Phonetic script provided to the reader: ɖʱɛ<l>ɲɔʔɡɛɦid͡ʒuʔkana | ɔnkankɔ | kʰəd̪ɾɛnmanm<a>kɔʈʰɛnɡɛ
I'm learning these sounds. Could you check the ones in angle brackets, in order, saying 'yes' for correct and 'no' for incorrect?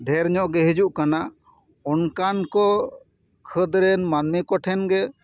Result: no, no

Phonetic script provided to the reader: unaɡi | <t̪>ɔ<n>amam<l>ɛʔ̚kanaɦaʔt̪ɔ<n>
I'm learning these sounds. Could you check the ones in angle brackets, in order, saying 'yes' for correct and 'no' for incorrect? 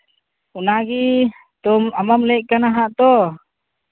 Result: yes, no, yes, no

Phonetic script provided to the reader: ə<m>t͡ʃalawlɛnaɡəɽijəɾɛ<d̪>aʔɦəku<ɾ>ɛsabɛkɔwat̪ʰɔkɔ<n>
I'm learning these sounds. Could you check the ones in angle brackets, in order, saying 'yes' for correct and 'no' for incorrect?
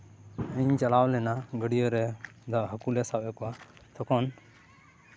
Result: no, yes, no, yes

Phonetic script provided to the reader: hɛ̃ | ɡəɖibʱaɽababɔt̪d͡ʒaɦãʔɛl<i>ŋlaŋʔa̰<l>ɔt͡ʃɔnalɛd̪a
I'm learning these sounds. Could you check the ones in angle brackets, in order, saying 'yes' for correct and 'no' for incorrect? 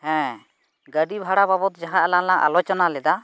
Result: no, yes

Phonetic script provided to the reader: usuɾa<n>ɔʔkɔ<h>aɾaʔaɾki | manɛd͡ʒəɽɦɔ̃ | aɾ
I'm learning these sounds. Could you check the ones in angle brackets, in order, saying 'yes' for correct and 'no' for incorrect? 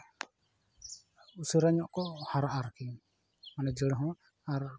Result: no, yes

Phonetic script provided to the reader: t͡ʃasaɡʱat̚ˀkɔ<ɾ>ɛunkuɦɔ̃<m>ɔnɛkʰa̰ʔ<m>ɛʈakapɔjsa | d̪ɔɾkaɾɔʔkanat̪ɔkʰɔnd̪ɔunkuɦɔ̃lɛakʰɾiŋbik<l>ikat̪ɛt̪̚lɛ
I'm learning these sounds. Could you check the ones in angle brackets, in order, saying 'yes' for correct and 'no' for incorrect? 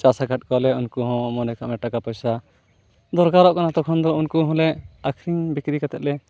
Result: no, yes, yes, no

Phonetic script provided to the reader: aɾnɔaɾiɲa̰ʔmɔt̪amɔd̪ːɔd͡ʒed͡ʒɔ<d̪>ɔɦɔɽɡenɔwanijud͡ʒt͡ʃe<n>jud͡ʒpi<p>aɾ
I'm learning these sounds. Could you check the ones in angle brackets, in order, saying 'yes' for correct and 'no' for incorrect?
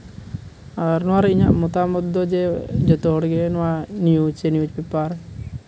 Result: no, yes, yes

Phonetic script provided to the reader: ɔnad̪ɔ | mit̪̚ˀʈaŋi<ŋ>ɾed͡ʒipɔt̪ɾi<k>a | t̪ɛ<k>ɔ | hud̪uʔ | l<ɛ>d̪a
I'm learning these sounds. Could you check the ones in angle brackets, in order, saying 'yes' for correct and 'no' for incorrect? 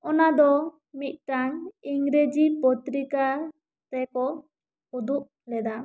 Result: yes, yes, yes, yes

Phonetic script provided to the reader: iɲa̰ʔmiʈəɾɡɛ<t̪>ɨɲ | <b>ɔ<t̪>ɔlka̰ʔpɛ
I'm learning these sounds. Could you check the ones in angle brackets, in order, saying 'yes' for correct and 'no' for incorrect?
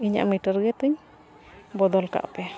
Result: yes, yes, no

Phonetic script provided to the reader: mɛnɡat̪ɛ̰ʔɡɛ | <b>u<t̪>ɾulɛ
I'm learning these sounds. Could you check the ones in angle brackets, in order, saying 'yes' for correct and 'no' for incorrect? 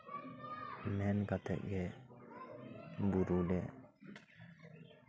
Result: yes, no

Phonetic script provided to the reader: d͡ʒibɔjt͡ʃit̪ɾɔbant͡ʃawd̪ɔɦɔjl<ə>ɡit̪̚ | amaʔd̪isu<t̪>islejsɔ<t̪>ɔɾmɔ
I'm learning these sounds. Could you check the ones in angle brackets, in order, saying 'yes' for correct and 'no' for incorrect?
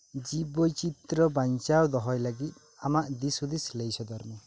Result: no, no, no

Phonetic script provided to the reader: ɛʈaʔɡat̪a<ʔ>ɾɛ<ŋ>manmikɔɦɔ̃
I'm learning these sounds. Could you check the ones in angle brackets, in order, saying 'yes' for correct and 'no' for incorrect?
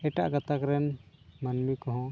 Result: no, no

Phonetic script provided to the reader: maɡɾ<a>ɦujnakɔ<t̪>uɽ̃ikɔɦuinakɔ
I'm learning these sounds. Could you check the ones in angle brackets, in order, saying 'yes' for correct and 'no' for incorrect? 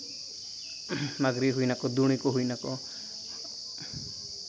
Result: no, no

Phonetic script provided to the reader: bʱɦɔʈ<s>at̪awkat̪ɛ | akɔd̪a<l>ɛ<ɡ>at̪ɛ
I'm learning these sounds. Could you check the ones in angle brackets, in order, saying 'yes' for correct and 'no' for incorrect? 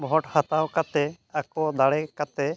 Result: no, no, no

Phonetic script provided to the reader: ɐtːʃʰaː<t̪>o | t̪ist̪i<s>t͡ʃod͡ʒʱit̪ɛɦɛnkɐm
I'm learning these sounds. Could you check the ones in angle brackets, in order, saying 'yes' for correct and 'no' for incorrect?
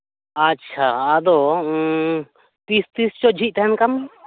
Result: no, yes

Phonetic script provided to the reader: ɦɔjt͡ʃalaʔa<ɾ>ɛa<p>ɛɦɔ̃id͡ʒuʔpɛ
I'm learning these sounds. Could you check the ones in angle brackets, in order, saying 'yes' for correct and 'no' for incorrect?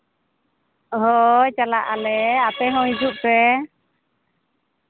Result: no, yes

